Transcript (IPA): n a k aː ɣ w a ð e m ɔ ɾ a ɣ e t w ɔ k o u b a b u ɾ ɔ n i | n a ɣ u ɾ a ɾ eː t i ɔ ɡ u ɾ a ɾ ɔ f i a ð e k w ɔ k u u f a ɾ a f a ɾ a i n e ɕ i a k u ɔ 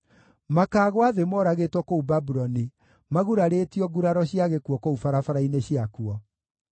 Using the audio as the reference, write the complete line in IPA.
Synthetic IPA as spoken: m a k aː ɣ w a ð e m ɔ ɾ a ɣ e t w ɔ k o u b a b u ɾ ɔ n i | m a ɣ u ɾ a ɾ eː t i ɔ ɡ u ɾ a ɾ ɔ ɕ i a ɣ e k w ɔ k o u f a ɾ a f a ɾ a i n e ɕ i a k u ɔ